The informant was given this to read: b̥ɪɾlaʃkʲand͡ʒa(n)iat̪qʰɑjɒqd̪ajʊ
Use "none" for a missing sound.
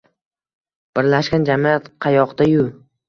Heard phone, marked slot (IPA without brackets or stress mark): m